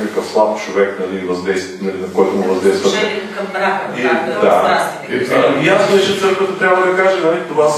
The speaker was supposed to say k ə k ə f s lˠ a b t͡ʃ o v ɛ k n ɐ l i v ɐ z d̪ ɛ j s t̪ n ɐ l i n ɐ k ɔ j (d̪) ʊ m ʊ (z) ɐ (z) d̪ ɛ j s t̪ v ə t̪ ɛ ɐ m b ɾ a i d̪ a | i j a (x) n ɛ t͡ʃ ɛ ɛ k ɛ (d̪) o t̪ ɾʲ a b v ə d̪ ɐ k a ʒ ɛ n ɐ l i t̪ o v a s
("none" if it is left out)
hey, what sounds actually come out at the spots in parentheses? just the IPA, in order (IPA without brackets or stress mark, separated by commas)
t̪, v, z, s, t̪